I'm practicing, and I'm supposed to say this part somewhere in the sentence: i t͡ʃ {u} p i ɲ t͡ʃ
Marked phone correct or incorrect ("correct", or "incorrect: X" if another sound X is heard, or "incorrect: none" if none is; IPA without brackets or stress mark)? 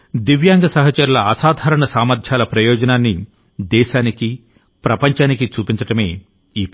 incorrect: uː